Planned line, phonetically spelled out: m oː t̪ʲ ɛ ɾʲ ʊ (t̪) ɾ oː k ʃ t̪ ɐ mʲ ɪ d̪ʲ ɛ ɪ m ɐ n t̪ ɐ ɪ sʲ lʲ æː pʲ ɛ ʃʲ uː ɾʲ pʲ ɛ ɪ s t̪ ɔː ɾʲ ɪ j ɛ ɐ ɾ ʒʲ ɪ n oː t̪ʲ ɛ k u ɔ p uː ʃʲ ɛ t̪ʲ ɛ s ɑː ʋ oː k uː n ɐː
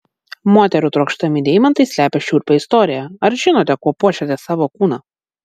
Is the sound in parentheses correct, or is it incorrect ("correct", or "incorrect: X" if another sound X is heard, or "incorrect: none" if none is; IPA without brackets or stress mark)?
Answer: correct